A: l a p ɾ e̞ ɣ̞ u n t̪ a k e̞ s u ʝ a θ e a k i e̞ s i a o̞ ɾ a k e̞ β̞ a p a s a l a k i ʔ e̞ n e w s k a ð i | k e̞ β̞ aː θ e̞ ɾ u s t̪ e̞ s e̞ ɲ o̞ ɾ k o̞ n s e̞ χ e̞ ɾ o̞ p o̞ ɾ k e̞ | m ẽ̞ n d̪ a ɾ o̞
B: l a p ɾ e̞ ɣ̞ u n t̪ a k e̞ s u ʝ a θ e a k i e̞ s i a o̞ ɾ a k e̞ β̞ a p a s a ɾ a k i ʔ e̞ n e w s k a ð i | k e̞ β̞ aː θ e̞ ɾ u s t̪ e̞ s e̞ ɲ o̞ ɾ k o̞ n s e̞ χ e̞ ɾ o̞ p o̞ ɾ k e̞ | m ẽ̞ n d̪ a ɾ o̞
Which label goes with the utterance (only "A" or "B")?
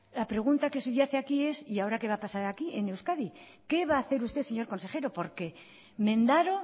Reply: B